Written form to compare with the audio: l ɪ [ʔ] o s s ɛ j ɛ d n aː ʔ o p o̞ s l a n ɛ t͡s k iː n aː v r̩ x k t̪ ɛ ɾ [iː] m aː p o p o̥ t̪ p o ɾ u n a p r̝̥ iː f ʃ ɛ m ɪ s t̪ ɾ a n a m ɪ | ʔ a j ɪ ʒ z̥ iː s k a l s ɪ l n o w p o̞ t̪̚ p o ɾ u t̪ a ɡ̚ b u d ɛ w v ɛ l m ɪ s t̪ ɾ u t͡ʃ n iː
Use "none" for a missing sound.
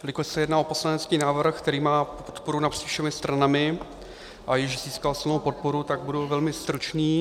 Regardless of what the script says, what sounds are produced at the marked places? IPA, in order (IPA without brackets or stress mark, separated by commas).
k, iː